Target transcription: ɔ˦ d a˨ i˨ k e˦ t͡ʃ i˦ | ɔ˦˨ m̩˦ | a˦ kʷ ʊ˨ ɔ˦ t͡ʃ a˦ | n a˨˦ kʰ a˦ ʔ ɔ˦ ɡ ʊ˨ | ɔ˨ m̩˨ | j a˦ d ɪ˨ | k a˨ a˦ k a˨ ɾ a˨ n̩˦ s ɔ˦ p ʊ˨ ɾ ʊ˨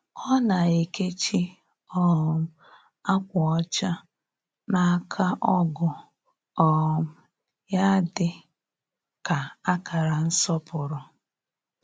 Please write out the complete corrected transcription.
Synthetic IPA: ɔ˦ n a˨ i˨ k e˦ t͡ʃ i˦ | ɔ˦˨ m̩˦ | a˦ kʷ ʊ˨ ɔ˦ t͡ʃ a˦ | n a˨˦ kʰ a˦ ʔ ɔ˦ ɡ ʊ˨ | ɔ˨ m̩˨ | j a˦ d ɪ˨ | k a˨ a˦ k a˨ ɾ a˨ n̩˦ s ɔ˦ p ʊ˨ ɾ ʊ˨

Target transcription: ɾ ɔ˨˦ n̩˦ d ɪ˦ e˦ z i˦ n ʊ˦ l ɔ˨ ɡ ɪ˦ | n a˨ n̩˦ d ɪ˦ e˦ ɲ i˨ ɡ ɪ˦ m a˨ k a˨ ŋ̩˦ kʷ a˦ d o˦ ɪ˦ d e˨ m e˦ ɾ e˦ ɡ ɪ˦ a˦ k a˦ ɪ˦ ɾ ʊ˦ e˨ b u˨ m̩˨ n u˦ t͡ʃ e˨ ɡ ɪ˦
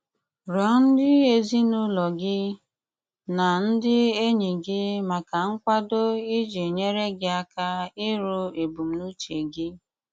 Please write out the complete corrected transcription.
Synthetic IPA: ɾ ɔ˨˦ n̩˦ d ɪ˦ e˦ z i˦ n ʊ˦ l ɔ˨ ɡ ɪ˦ | n a˨ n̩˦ d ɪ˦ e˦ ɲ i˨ ɡ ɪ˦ m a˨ k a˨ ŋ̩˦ kʷ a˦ d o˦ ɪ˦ d͡ʒ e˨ ɲ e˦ ɾ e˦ ɡ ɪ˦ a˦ k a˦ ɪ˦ ɾ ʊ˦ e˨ b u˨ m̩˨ n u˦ t͡ʃ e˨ ɡ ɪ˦

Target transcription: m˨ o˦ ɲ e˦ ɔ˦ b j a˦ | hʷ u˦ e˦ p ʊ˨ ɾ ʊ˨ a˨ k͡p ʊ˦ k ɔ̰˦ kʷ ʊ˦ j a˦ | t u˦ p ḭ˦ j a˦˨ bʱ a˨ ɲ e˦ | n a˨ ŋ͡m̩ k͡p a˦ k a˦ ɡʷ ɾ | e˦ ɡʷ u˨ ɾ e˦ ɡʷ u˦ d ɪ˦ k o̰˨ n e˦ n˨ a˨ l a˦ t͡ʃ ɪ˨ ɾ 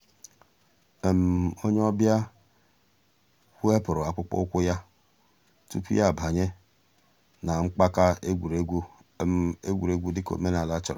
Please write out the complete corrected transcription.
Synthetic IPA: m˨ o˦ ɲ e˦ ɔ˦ b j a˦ | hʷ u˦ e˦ p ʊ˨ ɾ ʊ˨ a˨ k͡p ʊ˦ k͡p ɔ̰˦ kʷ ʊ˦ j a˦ | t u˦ p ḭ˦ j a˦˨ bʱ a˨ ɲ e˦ | n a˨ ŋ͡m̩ k͡p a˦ k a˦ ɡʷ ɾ | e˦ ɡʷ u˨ ɾ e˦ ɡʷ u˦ d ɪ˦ k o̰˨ m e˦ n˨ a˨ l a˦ t͡ʃ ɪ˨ ɾ

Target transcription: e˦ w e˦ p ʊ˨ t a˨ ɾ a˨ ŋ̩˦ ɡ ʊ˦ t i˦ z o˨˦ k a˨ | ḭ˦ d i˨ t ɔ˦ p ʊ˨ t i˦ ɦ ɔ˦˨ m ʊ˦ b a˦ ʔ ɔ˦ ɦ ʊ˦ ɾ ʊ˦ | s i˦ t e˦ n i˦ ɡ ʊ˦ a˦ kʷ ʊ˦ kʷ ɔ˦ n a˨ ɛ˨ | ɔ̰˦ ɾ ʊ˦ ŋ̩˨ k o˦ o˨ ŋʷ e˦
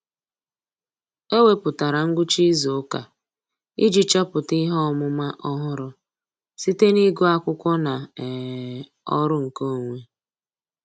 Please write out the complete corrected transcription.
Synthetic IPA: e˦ w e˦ p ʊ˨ t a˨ ɾ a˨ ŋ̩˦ ɡ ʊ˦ t͡ʃ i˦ z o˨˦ k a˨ | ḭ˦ d͡ʒ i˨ t͡ʃ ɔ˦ p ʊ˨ t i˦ ɦ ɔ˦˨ m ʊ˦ m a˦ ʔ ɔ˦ ɦ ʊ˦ ɾ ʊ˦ | s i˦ t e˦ n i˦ ɡ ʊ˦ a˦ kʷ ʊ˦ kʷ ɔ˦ n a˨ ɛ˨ | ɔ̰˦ ɾ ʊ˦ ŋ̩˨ k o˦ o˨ ŋʷ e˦

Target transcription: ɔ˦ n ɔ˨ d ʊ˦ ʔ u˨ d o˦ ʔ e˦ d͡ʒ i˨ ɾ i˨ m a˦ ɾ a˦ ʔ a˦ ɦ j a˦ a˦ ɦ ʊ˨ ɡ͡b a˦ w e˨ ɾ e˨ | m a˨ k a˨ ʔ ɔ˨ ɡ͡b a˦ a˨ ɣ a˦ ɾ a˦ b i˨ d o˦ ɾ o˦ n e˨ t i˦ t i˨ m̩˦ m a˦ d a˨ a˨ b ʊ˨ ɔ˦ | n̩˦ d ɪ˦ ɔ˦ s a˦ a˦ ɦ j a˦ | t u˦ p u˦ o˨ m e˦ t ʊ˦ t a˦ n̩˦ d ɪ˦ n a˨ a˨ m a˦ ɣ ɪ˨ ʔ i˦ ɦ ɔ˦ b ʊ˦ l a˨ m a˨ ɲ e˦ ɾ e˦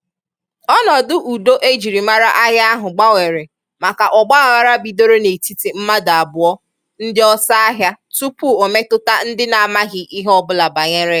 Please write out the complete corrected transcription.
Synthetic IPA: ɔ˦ n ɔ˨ d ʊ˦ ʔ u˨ d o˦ ʔ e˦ d͡ʒ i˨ ɾ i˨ m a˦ ɾ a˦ ʔ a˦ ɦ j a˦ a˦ ɦ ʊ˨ ɡ͡b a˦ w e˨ ɾ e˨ | m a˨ k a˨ ʔ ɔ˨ ɡ͡b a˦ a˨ ɣ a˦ ɾ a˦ b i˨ d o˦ ɾ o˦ n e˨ t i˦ t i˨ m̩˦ m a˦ d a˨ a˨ b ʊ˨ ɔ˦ | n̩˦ d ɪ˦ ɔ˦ s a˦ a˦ ɦ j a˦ | t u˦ p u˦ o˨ m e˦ t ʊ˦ t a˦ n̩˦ d ɪ˦ n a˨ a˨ m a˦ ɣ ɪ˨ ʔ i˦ ɦ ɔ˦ b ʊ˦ l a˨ b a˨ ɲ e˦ ɾ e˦

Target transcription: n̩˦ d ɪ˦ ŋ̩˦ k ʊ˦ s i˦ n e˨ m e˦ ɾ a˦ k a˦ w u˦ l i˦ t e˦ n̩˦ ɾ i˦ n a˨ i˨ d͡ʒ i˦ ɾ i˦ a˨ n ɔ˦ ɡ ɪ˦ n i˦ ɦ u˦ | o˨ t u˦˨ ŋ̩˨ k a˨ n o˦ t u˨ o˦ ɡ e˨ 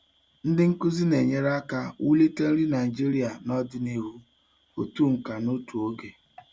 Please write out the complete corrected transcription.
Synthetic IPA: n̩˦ d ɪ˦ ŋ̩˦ k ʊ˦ z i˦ n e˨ ɲ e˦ ɾ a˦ k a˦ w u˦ l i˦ t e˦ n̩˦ ɾ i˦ n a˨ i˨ d͡ʒ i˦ ɾ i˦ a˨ n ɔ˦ d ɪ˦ n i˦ ɦ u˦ | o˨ t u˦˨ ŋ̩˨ k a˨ n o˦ t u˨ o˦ ɡ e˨

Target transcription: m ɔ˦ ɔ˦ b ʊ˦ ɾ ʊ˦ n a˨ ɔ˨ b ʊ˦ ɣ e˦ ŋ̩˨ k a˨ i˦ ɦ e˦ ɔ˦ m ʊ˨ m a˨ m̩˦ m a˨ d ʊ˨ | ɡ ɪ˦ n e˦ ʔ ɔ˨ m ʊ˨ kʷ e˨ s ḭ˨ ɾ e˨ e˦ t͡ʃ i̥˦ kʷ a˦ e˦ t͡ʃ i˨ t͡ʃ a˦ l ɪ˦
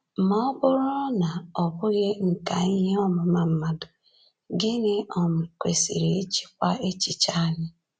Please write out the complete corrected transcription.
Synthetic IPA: m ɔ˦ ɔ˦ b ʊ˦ ɾ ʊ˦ n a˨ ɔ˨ b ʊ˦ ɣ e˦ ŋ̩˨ k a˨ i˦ ɦ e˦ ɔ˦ m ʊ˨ m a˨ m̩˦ m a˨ d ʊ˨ | ɡ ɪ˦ n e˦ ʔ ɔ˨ m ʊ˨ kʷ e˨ s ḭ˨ ɾ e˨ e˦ t͡ʃ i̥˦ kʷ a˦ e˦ t͡ʃ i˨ t͡ʃ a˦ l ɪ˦

